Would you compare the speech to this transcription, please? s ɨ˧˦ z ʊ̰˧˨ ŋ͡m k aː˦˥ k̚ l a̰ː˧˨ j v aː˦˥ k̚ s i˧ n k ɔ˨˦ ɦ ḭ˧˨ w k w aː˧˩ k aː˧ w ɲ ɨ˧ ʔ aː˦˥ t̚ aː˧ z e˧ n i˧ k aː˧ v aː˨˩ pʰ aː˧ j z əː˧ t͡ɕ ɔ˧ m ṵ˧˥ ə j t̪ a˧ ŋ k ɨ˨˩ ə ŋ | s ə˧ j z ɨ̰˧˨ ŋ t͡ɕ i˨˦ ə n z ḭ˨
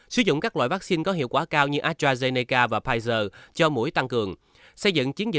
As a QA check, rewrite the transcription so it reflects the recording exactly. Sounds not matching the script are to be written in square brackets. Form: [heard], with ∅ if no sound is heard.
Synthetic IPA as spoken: s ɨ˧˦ z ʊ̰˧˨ ŋ͡m k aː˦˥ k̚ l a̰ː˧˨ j v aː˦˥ k̚ s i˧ n k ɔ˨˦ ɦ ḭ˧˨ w k w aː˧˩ k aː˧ w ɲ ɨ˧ ʔ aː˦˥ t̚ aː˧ z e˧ n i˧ k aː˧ v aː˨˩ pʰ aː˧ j z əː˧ t͡ɕ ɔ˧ m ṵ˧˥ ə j t̪ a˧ ŋ k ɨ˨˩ ə ŋ | s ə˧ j z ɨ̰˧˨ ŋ t͡ɕ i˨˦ ə n z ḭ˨